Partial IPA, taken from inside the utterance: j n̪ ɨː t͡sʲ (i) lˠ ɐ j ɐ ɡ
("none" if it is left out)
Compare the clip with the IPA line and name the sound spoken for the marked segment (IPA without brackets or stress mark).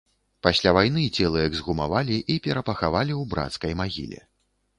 ɛ